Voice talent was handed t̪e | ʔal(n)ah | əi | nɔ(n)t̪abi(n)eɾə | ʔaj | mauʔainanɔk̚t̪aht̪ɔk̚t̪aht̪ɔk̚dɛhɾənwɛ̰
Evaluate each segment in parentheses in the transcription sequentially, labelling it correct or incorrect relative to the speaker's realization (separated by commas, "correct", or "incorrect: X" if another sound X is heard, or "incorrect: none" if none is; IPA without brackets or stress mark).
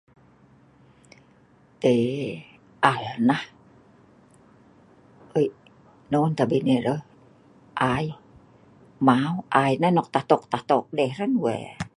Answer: correct, correct, correct